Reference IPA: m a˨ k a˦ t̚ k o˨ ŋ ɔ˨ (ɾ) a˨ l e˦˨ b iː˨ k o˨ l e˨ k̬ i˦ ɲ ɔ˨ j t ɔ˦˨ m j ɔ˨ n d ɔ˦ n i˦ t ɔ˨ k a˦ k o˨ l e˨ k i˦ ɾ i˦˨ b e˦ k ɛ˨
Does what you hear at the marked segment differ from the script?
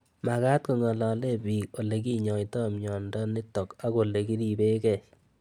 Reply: yes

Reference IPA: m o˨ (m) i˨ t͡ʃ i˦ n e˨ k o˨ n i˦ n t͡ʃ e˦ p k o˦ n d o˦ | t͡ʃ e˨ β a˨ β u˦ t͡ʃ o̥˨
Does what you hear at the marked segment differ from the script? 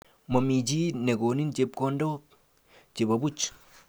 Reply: no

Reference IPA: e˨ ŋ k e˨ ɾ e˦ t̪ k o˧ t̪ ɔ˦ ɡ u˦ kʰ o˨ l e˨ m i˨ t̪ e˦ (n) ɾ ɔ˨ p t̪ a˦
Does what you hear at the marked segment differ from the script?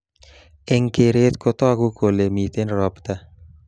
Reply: no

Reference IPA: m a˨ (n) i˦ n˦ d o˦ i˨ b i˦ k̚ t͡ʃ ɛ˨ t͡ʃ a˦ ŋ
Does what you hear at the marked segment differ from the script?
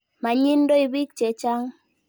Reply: yes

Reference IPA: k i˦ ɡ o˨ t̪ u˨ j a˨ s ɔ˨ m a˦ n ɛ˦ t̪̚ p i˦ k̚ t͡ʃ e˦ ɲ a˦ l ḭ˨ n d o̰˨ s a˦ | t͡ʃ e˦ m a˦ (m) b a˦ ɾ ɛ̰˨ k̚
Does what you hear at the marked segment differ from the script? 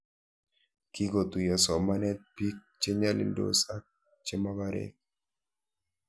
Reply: yes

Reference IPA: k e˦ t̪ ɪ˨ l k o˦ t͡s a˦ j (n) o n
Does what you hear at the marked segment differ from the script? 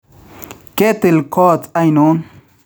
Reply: no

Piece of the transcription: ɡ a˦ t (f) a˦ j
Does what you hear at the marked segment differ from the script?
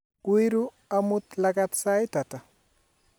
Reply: yes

